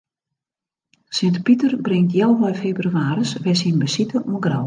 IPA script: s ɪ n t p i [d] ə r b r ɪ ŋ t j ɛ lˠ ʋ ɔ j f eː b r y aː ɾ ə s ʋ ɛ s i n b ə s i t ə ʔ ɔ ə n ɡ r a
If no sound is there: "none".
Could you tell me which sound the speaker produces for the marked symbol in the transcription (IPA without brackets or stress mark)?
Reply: t